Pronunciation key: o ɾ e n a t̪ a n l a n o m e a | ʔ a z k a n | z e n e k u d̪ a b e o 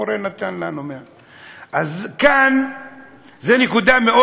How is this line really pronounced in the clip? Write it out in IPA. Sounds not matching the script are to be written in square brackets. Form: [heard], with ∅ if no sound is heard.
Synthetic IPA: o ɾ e n a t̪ a n l a n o m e a | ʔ a z k a n | z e n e k u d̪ a [m] e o